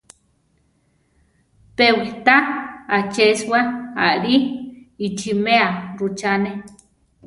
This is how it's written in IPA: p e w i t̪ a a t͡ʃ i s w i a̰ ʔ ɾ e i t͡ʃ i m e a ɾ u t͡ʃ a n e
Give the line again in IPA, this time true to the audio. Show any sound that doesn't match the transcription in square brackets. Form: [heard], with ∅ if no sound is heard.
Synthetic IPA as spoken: p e w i t̪ a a t͡ʃ [e] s w [a] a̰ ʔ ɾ [i] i t͡ʃ i m e a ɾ u t͡ʃ a n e